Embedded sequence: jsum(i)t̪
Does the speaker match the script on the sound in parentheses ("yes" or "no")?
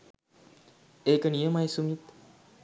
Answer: yes